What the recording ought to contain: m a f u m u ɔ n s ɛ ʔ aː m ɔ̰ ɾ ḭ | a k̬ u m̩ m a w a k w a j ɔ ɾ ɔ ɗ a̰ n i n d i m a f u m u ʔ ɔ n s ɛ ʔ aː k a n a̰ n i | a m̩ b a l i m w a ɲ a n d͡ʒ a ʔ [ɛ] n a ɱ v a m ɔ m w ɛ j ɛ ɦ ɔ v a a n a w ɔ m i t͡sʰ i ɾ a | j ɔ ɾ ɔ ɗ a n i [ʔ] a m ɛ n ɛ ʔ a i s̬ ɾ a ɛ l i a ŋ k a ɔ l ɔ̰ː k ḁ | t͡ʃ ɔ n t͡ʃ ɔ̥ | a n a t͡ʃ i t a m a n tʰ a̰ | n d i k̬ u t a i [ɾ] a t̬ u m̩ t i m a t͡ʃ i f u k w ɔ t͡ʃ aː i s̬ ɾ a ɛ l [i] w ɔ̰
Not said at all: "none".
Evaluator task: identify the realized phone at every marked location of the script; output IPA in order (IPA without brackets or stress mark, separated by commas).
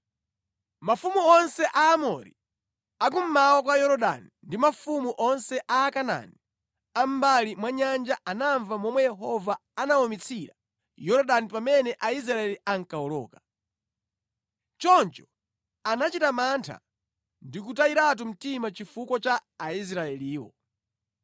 a, p, ɾ, iː